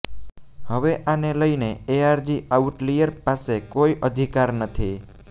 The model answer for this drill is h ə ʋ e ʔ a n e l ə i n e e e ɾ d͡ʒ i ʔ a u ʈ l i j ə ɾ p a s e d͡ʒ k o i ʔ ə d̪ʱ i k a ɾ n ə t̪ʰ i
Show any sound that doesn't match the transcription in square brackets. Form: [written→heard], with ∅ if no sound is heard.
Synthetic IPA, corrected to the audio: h ə ʋ e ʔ a n e l ə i n e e [e→a] ɾ d͡ʒ i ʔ a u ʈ l i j ə ɾ p a s e [d͡ʒ→∅] k o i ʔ ə d̪ʱ i k a ɾ n ə t̪ʰ i